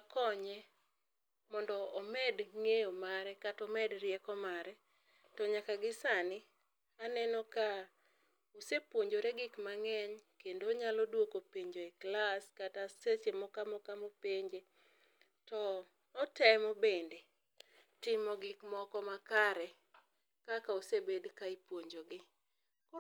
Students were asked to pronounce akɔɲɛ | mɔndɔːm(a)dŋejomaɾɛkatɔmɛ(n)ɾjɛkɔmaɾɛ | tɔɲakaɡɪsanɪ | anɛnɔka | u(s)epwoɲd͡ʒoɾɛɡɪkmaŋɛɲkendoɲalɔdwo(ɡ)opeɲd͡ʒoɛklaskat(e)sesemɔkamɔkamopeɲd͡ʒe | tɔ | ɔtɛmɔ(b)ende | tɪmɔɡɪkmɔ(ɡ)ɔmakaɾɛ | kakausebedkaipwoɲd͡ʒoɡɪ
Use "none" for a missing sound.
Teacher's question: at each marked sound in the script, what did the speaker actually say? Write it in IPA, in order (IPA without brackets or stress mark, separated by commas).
ɛ, d, s, k, a, b, k